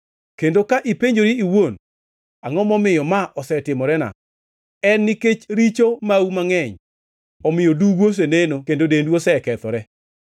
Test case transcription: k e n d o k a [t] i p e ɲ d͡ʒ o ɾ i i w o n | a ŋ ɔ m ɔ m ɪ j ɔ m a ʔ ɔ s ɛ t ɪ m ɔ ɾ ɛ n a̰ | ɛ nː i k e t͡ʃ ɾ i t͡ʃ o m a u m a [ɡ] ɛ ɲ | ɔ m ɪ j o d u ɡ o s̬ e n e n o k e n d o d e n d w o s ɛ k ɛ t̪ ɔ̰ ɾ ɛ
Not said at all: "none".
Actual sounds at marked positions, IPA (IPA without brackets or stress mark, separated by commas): ʔ, ŋ